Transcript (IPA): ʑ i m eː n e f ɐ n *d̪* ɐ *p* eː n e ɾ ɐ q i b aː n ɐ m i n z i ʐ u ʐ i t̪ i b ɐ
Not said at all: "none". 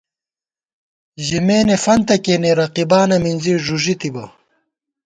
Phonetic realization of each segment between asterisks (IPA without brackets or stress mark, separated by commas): t̪, k